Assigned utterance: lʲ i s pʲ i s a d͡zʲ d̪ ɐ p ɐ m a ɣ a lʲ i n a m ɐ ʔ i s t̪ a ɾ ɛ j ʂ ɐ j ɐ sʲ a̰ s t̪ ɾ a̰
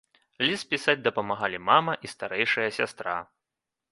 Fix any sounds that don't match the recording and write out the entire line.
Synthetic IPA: lʲ i s pʲ i s a d͡zʲ d̪ ɐ p ɐ m a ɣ a lʲ i m a m ɐ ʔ i s t̪ a ɾ ɛ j ʂ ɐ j ɐ sʲ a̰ s t̪ ɾ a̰